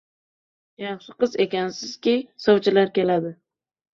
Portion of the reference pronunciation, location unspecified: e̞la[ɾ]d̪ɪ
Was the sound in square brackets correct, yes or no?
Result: no